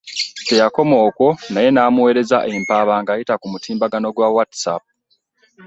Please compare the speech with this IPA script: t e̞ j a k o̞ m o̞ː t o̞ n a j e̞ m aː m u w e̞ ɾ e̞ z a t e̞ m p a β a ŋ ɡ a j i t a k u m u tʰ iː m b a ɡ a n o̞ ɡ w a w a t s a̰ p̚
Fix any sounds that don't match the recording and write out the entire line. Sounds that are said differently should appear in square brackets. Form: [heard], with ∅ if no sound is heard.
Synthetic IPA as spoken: t e̞ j a k o̞ m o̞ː [k] o̞ n a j e̞ [n] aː m u w e̞ ɾ e̞ z a [ʔ] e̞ m p a β a ŋ ɡ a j i t a k u m u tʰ iː m b a ɡ a n o̞ ɡ w a w a t s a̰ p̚